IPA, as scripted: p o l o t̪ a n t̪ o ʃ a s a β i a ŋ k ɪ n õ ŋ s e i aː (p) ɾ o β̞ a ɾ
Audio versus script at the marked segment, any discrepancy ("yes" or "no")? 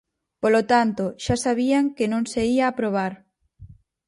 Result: no